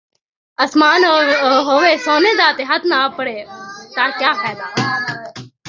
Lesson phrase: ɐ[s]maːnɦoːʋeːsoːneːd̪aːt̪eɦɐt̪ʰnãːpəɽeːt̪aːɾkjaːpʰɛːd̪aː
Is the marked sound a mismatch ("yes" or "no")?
no